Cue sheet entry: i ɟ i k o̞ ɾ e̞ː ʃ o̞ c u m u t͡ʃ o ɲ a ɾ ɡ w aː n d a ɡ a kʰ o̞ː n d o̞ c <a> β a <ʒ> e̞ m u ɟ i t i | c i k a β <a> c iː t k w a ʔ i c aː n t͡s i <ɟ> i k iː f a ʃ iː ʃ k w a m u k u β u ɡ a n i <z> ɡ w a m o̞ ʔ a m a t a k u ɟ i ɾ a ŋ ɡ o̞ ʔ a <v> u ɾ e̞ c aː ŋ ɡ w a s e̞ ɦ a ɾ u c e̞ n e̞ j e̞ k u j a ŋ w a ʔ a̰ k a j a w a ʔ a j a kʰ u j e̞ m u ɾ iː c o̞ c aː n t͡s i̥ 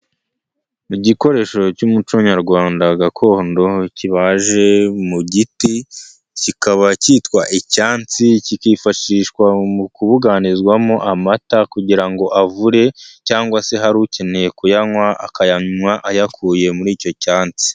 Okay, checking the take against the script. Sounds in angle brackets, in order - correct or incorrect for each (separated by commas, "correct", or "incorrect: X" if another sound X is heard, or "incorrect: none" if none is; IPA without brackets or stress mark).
incorrect: i, correct, correct, incorrect: c, correct, correct